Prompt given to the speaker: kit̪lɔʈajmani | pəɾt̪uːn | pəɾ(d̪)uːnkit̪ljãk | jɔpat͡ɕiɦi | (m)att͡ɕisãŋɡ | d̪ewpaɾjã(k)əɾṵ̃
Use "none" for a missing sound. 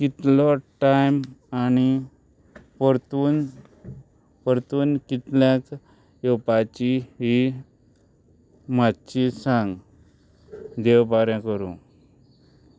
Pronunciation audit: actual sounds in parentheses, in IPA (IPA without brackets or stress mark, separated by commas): t̪, m, k